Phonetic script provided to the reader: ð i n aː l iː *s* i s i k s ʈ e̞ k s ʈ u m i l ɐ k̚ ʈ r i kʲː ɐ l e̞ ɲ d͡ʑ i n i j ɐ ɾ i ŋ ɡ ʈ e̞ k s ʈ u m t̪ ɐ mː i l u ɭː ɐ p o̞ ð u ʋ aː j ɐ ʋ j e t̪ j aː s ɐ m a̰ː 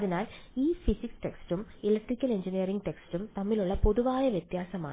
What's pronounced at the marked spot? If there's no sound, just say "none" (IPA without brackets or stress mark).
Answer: f